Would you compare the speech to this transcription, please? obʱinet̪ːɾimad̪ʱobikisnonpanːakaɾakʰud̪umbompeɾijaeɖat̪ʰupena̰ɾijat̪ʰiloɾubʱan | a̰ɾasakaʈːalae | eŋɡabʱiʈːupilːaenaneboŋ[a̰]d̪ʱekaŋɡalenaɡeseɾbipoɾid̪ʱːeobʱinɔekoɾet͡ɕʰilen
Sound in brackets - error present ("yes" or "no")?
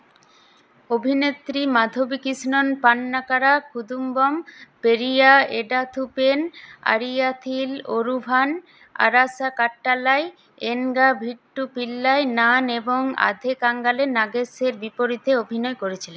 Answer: no